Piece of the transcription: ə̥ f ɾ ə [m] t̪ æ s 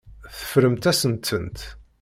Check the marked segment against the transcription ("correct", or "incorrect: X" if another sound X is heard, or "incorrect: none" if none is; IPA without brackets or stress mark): correct